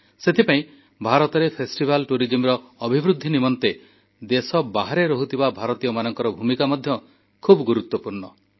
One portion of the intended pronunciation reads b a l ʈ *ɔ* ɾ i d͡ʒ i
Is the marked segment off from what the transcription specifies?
yes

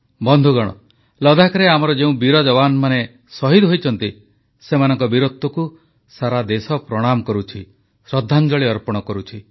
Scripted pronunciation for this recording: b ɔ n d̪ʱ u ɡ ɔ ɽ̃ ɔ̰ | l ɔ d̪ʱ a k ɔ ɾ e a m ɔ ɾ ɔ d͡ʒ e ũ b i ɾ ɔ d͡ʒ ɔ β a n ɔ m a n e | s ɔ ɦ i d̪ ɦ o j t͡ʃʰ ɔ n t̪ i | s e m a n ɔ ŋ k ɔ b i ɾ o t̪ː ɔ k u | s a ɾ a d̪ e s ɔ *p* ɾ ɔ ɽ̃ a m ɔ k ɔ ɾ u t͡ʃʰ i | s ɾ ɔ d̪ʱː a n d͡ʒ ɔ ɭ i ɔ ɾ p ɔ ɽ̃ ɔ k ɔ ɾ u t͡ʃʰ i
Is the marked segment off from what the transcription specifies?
no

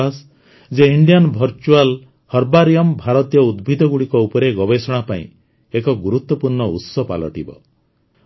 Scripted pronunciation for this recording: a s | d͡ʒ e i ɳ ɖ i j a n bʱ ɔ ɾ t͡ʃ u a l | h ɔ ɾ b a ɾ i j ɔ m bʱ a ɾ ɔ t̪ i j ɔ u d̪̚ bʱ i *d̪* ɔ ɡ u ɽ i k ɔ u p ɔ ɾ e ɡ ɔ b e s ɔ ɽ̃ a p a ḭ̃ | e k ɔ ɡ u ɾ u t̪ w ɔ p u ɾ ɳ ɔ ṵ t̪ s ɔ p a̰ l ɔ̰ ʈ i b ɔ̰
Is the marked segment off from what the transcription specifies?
no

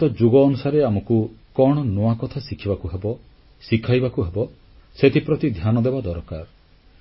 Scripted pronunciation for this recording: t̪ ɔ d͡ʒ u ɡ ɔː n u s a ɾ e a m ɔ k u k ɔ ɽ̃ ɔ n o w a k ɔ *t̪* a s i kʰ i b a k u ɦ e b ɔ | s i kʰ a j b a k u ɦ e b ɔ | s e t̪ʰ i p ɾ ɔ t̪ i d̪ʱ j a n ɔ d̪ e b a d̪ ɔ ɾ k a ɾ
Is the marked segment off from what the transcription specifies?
yes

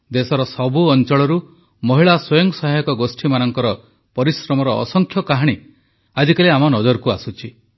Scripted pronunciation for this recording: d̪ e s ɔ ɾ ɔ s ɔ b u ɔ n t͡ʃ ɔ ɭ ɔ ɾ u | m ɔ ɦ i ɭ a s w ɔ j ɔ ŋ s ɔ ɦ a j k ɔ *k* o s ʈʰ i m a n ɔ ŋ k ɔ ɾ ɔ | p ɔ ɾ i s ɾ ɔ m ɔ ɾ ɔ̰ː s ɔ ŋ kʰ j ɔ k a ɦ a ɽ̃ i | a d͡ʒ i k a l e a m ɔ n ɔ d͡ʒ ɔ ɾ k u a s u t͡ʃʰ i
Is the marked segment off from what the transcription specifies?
yes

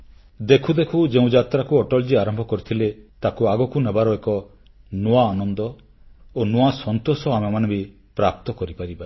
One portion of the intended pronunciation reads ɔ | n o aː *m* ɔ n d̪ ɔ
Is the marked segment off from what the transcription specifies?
yes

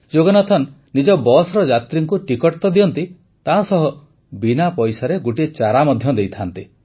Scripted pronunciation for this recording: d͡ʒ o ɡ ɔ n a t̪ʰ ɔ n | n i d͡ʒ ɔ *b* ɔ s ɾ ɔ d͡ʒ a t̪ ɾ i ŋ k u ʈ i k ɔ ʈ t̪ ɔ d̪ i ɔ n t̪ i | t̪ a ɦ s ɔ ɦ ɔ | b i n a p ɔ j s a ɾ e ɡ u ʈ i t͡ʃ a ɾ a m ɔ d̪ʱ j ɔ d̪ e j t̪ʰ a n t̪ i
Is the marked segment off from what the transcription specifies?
no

